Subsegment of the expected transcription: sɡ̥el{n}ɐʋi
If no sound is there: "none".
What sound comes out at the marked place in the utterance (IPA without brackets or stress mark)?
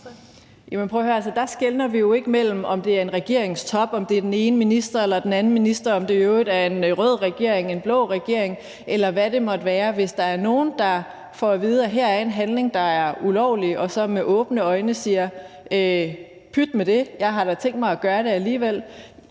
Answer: n